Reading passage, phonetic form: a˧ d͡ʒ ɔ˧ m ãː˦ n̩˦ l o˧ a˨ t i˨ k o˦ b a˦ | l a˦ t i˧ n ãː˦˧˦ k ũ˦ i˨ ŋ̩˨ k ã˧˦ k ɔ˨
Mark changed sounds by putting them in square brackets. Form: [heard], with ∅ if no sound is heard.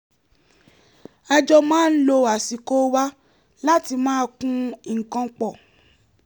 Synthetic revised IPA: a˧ d͡ʒ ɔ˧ m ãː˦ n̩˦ l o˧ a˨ [s] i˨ k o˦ [w] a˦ | l a˦ t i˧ [m] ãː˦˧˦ k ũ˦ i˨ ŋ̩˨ k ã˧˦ [k͡p] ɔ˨